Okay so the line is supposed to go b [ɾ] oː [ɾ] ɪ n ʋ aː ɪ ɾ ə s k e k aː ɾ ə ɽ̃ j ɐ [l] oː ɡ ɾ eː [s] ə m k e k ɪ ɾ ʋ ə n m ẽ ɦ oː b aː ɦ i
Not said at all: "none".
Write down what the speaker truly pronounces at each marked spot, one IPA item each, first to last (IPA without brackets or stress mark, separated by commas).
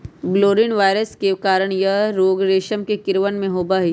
l, ɾ, ɾ, ʃ